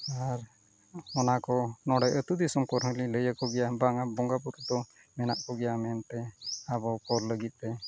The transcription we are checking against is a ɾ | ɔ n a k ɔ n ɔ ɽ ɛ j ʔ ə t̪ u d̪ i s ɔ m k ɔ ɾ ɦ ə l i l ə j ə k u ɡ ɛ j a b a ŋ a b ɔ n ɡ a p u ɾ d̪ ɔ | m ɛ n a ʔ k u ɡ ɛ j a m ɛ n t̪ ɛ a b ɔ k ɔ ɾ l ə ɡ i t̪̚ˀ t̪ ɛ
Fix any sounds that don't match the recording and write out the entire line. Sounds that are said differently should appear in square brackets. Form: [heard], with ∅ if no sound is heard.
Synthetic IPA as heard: a ɾ | ɔ n a k ɔ n ɔ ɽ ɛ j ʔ ə t̪ u d̪ i s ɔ m k ɔ ɾ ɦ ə l i l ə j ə k [ɔ] ɡ ɛ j a b a ŋ a b ɔ [ŋ] ɡ a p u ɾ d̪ ɔ | m ɛ n a ʔ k [ɔ] ɡ ɛ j a m ɛ n t̪ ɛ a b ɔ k ɔ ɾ l ə ɡ i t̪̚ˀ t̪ ɛ